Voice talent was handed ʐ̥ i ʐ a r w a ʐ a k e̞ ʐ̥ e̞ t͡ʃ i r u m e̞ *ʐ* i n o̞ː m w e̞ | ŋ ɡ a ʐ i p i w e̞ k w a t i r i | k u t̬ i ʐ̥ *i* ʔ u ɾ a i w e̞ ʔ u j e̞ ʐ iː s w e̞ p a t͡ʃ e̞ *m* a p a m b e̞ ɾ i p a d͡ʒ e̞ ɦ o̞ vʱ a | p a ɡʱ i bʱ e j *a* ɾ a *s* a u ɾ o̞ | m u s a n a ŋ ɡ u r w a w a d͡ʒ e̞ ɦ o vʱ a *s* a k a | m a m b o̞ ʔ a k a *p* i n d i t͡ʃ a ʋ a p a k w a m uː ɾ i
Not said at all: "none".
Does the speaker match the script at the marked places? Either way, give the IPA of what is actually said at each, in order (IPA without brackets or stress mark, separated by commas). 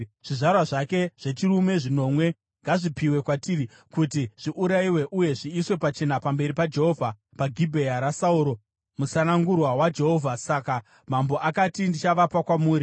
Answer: ʐ, i, n, a, s, s, t